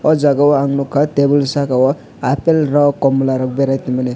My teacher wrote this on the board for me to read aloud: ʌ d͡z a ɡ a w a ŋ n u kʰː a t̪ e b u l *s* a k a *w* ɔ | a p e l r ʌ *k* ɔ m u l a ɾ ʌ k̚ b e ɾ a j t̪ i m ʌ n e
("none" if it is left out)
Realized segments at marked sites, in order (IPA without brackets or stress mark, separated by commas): s, w, k